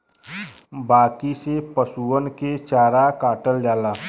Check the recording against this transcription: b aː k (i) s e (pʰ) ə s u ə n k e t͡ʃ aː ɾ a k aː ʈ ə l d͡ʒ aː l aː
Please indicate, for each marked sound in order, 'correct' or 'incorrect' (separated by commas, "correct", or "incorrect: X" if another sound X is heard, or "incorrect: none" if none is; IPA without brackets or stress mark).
correct, incorrect: p